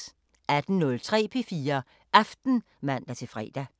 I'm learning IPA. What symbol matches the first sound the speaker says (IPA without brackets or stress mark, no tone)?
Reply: æ